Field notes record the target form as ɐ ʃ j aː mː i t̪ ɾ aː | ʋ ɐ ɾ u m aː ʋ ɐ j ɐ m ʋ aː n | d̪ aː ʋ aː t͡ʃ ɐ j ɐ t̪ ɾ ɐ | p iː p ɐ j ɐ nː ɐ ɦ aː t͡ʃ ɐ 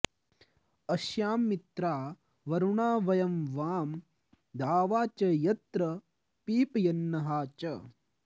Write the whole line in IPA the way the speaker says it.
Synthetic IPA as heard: ɐ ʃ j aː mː i t̪ ɾ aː | ʋ ɐ ɾ u ɳ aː ʋ ɐ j ɐ m ʋ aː m | d̪ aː ʋ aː t͡ʃ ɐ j ɐ t̪ ɾ ɐ | p iː p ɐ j ɐ nː ɐ ɦ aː t͡ʃ ɐ